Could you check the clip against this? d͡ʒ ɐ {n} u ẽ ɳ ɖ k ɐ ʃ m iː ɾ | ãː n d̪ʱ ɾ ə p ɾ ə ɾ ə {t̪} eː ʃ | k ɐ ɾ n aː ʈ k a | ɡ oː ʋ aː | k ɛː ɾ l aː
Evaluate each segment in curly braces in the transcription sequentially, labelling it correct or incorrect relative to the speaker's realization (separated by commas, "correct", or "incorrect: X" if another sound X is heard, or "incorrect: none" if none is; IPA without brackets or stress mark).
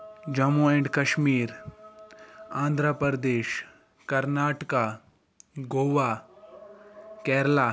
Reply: incorrect: m, incorrect: d̪